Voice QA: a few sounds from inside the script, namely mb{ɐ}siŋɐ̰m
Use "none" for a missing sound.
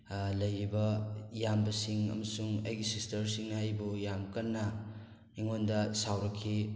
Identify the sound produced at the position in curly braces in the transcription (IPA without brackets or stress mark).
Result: ɐ